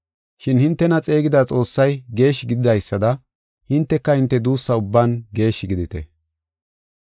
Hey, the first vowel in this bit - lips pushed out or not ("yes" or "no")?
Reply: no